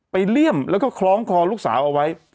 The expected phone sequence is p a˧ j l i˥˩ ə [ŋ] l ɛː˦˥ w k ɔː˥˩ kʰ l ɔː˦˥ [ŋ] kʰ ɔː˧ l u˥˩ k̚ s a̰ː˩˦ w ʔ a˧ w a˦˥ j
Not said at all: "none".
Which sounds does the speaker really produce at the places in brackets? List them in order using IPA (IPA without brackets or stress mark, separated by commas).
m, ŋ